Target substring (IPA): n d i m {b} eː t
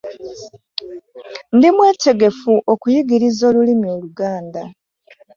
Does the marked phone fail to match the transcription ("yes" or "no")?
yes